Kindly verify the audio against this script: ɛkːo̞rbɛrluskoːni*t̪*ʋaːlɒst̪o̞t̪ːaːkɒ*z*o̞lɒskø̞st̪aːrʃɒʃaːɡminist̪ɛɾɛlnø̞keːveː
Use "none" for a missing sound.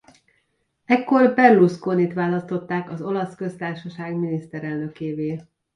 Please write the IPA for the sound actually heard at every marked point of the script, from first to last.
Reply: t̪, z

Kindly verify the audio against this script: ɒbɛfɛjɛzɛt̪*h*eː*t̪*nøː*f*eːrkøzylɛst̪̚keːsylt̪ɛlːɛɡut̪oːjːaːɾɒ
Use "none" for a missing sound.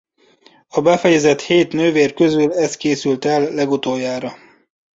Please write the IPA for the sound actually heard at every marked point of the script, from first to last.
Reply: h, t̪, v

